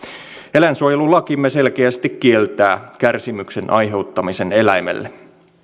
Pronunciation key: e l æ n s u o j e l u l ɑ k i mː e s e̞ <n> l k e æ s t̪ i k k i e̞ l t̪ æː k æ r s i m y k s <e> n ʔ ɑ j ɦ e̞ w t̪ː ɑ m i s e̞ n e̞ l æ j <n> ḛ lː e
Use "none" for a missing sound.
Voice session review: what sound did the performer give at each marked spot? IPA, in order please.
none, e, m

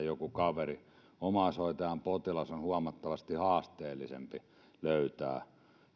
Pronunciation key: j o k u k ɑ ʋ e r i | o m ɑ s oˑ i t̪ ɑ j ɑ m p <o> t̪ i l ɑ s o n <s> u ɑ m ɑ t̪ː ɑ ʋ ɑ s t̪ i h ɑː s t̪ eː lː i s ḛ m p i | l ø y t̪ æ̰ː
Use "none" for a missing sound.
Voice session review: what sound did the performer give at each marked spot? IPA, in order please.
o, h

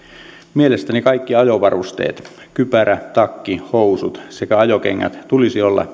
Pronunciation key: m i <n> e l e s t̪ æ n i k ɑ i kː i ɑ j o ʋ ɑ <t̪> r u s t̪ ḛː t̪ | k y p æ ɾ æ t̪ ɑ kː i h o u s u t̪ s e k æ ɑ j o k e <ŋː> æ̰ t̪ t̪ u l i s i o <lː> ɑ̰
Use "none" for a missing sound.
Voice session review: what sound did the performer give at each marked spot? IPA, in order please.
none, none, ŋː, lː

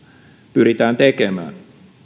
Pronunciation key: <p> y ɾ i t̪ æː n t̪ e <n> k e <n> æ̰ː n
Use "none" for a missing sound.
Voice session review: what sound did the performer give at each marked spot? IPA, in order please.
p, none, m

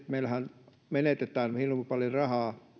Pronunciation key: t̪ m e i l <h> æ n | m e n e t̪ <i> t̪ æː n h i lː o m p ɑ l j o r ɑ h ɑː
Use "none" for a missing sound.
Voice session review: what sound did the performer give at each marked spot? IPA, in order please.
h, e

